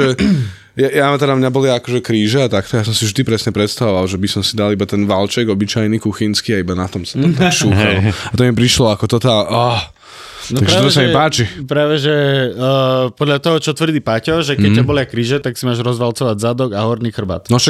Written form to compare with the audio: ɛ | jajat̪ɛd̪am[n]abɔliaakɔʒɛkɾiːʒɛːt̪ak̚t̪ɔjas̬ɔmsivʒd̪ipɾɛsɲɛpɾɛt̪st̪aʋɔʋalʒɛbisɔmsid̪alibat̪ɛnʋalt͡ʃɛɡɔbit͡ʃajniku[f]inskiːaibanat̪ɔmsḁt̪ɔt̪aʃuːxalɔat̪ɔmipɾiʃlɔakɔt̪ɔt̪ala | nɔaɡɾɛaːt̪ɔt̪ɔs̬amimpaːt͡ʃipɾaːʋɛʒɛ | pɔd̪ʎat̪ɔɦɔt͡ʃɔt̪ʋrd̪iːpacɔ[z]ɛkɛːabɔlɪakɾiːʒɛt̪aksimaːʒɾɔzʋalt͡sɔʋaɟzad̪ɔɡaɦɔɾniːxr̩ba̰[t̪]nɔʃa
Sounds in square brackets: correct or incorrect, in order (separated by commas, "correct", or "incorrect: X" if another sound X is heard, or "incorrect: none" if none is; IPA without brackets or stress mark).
incorrect: ɲ, incorrect: x, incorrect: ʒ, correct